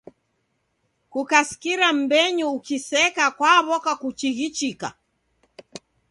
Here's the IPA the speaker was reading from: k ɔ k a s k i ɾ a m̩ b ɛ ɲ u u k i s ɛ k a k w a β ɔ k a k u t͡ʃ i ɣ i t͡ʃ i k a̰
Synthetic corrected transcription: k u k a s k i ɾ a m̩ b ɛ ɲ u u k i s ɛ k a k w a β ɔ k a k u t͡ʃ i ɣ i t͡ʃ i k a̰

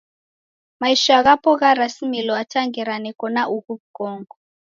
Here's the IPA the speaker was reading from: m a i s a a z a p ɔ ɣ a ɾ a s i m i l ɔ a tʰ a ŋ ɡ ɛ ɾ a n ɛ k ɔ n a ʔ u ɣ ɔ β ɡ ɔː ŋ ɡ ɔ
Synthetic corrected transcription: m a i ʃ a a ɣ a p ɔ ɣ a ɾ a s i m i l ɔ a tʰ a ŋ ɡ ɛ ɾ a n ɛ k ɔ n a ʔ u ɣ u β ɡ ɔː ŋ ɡ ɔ

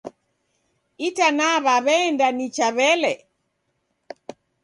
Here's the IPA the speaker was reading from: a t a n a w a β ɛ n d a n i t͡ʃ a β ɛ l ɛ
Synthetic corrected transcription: i t a n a β a β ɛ n d a n i t͡ʃ a β ɛ l ɛ

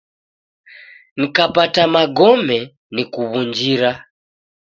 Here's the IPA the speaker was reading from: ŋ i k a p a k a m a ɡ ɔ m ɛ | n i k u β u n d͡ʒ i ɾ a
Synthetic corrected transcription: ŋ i k a p a t a m a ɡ ɔ m ɛ | n i k u β u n d͡ʒ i ɾ a

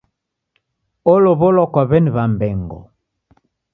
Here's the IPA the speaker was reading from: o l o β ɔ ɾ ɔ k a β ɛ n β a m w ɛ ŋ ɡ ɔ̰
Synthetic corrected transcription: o l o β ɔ l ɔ k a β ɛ n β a m b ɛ ŋ ɡ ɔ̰

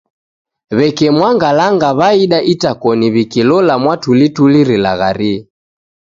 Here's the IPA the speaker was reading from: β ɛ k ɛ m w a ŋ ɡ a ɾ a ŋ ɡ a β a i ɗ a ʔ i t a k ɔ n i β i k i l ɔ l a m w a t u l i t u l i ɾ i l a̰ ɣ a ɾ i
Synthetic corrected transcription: β ɛ k ɛ m w a ŋ ɡ a l a ŋ ɡ a β a i ɗ a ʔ i t a k ɔ n i β i k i l ɔ l a m w a t u l i t u l i ɾ i l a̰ ɣ a ɾ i

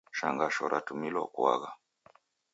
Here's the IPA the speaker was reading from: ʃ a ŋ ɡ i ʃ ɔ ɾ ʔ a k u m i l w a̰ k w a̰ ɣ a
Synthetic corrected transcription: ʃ a ŋ ɡ a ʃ ɔ ɾ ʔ a t u m i l w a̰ k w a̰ ɣ a

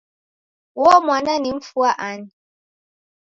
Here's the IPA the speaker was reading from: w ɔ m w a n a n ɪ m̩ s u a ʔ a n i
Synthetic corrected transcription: w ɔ m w a n a n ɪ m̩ f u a ʔ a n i

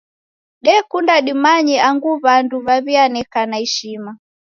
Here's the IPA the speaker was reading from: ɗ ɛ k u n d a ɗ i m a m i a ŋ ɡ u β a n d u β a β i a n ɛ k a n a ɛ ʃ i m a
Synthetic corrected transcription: ɗ ɛ k u n d a ɗ i m a ɲ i a ŋ ɡ u β a n d u β a β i a n ɛ k a n a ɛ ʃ i m a

